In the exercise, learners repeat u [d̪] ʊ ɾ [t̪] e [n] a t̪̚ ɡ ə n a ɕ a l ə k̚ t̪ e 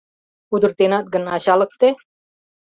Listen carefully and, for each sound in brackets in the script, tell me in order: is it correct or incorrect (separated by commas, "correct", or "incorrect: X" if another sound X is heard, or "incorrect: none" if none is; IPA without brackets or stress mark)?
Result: correct, correct, correct